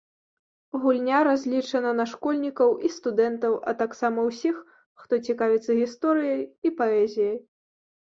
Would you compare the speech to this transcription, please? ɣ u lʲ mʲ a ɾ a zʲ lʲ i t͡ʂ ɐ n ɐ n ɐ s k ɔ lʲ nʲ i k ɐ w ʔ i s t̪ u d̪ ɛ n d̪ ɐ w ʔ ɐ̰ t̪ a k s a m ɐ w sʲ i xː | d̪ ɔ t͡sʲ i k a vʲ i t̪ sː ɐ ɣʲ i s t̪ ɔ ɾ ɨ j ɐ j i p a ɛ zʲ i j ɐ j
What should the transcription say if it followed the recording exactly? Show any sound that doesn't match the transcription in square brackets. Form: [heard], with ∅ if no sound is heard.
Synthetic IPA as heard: ɣ u lʲ [nʲ] a ɾ a zʲ lʲ i t͡ʂ ɐ n ɐ n ɐ [ʂ] k ɔ lʲ nʲ i k ɐ w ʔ i s t̪ u d̪ ɛ n [t̪] ɐ w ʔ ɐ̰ t̪ a k s a m ɐ w sʲ i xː | [t̪] ɔ t͡sʲ i k a vʲ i t̪ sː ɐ ɣʲ i s t̪ ɔ ɾ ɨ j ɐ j i p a ɛ zʲ i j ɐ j